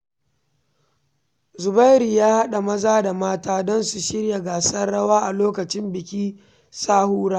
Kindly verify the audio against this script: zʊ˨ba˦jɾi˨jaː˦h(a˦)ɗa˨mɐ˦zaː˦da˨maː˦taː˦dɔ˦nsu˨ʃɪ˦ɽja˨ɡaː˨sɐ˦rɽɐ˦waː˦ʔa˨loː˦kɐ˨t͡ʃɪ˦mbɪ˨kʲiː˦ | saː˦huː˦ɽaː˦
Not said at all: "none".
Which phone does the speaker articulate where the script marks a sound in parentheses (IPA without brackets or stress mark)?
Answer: a˦